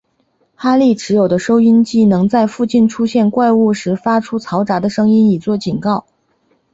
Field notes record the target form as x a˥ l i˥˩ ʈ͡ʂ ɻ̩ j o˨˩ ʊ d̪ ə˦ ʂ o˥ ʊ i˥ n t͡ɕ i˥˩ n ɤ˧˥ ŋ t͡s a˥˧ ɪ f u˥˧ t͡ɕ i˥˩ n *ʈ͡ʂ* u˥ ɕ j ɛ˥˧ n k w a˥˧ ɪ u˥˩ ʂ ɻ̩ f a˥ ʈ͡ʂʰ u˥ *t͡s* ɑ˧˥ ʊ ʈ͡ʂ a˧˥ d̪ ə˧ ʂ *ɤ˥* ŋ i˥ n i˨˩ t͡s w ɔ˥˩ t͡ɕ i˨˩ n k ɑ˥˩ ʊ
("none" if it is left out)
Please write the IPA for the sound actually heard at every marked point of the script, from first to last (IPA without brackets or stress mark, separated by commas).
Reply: ʈ͡ʂʰ, t͡sʰ, ɤ˥